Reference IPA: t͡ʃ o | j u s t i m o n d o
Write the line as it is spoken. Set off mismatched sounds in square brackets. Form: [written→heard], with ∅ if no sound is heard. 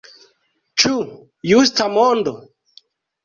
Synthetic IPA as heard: t͡ʃ [o→u] | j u s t [i→a] m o n d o